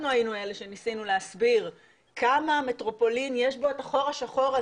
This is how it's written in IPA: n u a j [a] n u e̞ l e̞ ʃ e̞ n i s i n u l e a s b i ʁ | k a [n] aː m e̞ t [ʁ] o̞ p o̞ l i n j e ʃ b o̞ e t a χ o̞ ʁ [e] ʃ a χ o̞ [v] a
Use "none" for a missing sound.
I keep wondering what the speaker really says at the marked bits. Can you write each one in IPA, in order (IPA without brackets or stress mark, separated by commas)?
i, m, ʁ, a, ʁ